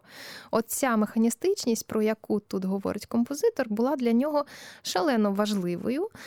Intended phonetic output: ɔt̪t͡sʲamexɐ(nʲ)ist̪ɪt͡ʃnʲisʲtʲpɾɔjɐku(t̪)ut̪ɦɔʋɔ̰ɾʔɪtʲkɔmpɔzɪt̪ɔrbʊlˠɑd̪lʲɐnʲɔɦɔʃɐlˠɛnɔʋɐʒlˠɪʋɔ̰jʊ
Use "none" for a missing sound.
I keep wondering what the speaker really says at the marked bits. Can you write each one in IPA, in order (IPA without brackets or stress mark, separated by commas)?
nʲ, t̪